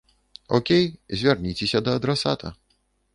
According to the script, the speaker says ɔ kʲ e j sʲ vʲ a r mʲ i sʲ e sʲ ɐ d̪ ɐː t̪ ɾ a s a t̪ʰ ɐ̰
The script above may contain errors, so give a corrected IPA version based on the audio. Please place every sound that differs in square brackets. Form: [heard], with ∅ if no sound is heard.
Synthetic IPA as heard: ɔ kʲ e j [zʲ] vʲ a r [nʲ] i [t͡sʲ] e sʲ ɐ d̪ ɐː [d̪] ɾ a s a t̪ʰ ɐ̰